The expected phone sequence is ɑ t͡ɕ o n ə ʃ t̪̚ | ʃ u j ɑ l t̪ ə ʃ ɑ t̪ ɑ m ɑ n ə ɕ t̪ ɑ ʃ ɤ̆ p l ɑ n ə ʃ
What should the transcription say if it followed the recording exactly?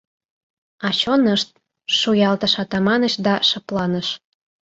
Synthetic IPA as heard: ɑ t͡ɕ o n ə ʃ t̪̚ | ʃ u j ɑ l t̪ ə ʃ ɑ t̪ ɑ m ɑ n ə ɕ d̪ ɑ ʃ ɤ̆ p l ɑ n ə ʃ